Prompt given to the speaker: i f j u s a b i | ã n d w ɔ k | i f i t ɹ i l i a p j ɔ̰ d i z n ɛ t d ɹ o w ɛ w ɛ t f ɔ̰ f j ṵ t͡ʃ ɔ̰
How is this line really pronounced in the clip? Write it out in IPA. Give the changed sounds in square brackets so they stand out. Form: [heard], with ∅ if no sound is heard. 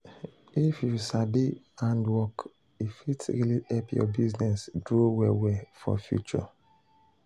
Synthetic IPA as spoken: i f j u s a b i | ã n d w ɔ k | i f i t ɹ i l i [ɛ] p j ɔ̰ [b] i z n ɛ [s] d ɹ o w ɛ w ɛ [∅] f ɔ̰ f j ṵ t͡ʃ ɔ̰